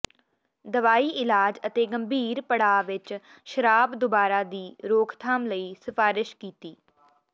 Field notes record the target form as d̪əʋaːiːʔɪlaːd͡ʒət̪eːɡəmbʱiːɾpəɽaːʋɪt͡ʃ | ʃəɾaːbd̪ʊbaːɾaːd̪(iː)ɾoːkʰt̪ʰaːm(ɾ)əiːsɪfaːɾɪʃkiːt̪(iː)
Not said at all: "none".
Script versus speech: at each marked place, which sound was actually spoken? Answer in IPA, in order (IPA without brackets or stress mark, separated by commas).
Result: iː, l, iː